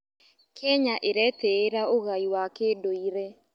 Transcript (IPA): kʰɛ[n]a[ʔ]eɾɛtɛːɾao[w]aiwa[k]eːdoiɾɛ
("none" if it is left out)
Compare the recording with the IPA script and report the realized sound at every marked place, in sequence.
ɲ, ʔ, ɣ, k

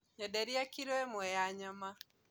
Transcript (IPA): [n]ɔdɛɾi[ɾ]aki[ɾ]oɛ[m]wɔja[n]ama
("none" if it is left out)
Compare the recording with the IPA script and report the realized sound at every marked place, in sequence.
ɲ, none, ɾ, m, ɲ

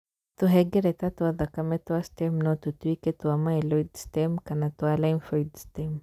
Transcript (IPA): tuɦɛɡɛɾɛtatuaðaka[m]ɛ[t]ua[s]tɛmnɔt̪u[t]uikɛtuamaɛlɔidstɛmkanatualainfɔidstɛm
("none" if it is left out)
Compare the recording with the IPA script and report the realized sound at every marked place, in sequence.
m, t, s, t

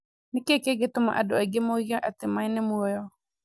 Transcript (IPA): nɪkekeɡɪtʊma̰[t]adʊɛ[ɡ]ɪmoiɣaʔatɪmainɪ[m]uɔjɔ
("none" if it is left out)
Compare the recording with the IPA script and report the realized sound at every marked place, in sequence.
ʔ, ɡ, m

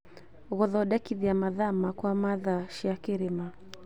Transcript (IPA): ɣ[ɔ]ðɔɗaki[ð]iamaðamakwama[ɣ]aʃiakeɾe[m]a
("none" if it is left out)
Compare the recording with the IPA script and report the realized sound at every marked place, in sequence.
ɔ, ð, ð, m

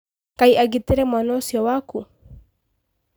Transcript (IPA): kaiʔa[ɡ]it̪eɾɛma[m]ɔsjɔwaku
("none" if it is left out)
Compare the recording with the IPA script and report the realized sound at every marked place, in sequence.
ɡ, n

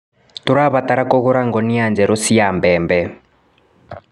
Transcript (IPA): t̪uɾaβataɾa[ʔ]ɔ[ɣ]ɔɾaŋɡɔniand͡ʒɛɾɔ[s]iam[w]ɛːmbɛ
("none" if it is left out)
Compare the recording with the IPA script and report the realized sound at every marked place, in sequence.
k, ɣ, s, b

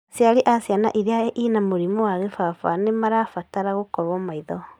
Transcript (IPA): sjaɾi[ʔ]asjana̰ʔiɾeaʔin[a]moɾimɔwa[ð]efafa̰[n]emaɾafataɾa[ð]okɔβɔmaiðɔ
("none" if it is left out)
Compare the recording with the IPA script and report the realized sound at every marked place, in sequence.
ʔ, a, ɣ, n, ɣ

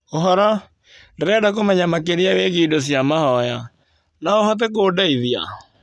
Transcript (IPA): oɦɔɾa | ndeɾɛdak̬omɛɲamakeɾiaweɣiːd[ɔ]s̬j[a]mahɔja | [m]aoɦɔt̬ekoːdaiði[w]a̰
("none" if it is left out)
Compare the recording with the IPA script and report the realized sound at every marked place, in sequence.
o, a, n, none

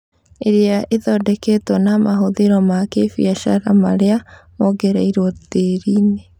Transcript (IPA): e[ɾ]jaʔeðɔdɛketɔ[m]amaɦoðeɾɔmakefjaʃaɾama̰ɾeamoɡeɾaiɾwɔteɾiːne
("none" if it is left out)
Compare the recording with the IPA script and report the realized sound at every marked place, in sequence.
ɾ, n

